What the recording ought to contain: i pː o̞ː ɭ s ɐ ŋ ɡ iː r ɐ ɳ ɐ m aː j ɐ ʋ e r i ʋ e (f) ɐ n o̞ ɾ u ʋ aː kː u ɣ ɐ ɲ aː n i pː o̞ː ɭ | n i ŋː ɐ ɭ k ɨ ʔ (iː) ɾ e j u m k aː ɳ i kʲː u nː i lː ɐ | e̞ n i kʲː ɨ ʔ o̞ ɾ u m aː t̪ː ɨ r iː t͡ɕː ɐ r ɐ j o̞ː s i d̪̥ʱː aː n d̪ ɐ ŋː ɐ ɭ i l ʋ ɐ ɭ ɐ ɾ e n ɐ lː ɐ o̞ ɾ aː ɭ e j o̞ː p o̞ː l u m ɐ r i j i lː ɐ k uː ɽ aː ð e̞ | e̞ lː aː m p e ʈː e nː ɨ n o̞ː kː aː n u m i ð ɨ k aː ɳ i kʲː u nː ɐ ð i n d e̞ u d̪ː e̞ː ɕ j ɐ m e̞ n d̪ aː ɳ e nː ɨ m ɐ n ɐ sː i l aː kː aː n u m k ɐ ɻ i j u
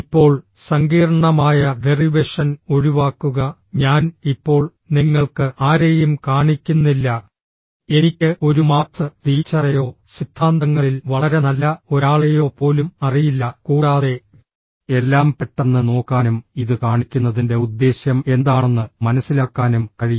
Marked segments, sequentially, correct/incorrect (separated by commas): incorrect, incorrect